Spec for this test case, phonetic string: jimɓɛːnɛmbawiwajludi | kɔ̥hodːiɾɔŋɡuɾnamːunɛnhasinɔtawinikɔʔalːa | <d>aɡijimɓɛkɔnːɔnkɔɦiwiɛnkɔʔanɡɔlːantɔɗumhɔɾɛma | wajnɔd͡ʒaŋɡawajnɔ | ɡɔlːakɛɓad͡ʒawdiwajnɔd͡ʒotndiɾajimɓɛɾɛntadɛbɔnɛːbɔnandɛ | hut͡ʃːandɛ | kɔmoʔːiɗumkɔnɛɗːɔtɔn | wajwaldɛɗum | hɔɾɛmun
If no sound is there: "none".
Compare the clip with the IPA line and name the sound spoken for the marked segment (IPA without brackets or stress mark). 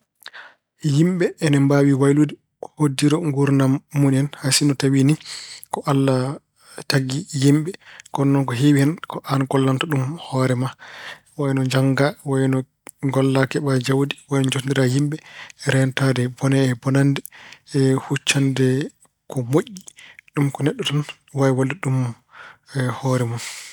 t